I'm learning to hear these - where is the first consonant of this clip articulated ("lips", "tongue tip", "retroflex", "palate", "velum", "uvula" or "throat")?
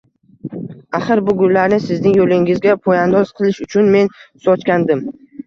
uvula